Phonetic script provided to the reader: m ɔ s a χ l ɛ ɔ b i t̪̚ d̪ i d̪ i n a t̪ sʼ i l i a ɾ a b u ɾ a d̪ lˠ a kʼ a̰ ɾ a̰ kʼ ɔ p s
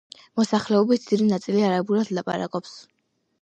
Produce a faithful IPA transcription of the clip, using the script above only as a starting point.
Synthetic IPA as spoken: m ɔ s a χ l ɛ ɔ b i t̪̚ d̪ i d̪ i n a t̪ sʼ i l i a ɾ a b u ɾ a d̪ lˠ a pʼ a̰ ɾ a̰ kʼ ɔ p s